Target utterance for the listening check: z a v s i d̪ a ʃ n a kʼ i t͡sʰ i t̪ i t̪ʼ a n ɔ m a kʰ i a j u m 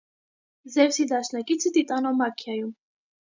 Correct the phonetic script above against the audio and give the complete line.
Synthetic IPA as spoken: z ɛ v s i d̪ a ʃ n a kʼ i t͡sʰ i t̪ i t̪ʼ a n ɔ m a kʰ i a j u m